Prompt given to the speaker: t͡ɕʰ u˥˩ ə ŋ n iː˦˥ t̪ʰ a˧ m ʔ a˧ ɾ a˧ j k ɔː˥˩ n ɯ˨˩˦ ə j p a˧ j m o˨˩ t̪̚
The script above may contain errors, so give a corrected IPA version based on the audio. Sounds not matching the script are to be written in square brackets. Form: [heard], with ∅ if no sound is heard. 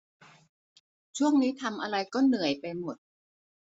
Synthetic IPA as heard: t͡ɕʰ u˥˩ ə ŋ n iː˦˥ t̪ʰ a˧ m ʔ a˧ ɾ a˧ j k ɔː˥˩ n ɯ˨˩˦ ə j p a˧ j m o˨˩ t̪̚